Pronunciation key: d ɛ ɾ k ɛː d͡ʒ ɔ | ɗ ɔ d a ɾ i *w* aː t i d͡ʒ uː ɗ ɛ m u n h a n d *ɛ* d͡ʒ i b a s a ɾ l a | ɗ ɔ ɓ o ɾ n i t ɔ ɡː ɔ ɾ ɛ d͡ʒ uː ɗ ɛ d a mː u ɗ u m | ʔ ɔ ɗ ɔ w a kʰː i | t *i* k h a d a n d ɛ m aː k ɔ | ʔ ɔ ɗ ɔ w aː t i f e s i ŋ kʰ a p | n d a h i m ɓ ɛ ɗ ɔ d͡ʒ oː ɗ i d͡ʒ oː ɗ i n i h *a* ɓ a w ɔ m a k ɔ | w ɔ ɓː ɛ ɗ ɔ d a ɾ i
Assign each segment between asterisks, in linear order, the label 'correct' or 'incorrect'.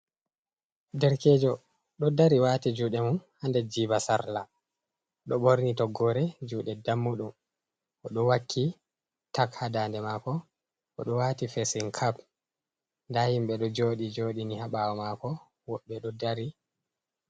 correct, correct, incorrect, correct

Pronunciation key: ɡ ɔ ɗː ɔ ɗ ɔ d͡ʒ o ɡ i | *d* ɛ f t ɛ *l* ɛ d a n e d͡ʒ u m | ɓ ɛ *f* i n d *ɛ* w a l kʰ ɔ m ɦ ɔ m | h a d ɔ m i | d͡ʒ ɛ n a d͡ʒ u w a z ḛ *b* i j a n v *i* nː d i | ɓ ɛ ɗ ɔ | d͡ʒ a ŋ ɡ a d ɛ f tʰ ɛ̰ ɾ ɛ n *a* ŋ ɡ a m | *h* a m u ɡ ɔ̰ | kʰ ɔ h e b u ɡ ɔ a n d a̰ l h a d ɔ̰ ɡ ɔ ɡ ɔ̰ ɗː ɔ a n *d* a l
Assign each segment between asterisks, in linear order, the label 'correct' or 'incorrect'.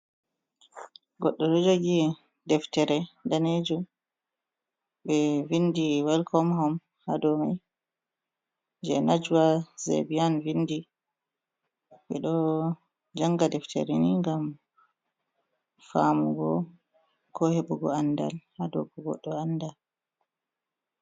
correct, incorrect, incorrect, incorrect, correct, correct, incorrect, incorrect, correct

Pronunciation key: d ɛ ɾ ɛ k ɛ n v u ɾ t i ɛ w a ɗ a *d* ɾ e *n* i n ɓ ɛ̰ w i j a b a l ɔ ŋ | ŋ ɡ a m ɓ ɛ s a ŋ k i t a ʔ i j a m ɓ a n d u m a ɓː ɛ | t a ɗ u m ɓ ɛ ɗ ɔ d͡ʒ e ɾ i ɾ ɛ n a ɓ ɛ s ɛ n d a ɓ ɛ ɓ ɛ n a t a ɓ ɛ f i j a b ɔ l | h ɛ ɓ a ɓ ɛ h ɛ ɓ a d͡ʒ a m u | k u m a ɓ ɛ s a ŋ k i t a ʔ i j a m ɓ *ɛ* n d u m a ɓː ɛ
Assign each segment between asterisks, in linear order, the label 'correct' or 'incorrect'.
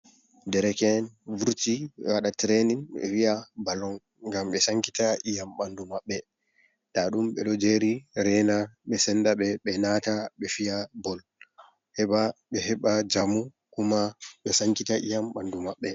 incorrect, correct, incorrect

